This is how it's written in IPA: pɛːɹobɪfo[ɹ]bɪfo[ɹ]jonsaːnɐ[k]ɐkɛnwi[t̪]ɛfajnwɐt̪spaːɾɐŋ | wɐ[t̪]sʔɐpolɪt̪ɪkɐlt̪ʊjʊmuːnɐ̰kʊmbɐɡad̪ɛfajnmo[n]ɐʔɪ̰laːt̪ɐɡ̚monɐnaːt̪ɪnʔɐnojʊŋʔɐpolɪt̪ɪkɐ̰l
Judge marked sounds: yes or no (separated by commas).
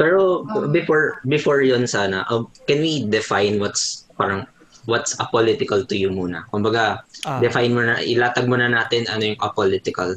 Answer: yes, yes, no, no, yes, yes